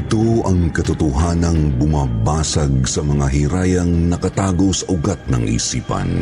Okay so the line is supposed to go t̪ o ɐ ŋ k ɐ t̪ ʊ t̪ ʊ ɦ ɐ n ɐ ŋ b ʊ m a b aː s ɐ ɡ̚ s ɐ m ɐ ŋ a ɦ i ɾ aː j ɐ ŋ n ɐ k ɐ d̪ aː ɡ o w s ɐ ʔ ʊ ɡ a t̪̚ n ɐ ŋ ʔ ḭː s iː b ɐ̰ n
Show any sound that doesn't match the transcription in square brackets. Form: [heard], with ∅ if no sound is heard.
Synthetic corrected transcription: t̪ o ɐ ŋ k ɐ t̪ ʊ t̪ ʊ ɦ [a] n ɐ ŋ b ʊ m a b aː s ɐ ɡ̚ s ɐ m ɐ ŋ a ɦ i ɾ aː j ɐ ŋ n ɐ k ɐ [t̪] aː ɡ o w s ɐ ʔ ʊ ɡ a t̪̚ n ɐ ŋ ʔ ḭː s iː [p] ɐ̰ n